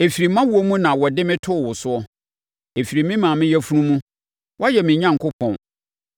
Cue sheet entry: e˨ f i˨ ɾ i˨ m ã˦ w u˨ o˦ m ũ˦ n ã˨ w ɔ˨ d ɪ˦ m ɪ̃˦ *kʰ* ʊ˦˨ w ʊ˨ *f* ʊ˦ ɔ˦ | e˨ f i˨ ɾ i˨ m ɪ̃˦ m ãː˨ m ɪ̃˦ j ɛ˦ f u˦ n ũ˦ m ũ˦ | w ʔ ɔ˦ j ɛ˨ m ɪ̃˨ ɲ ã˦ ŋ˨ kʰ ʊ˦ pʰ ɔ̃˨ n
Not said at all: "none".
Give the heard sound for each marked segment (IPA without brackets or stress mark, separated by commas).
tʰ, s